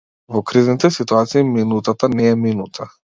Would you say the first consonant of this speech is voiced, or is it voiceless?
voiced